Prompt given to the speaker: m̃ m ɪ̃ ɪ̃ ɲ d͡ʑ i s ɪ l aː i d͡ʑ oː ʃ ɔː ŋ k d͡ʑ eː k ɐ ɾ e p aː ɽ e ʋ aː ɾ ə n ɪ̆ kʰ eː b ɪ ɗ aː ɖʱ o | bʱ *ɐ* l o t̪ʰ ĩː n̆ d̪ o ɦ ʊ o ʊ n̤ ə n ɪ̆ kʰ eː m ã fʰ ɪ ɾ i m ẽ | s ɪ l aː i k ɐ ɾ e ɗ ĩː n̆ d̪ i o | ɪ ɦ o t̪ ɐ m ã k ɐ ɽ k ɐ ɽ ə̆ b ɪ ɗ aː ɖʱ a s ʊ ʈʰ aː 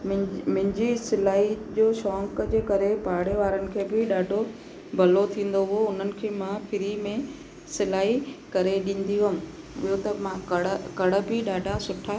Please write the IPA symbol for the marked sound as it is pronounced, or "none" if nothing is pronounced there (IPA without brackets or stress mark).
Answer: ɐ